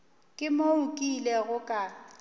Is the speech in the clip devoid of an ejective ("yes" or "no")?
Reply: no